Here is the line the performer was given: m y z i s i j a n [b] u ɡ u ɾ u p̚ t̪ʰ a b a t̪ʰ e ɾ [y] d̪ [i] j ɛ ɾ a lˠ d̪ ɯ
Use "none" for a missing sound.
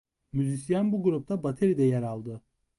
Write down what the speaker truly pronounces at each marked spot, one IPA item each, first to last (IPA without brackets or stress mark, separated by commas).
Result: b, i, ɛ